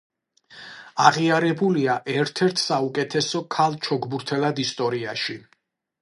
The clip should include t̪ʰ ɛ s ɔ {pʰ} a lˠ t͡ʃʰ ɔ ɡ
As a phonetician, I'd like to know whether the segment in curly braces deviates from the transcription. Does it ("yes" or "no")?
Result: yes